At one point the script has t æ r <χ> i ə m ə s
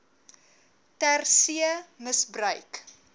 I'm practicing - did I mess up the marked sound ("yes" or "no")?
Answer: yes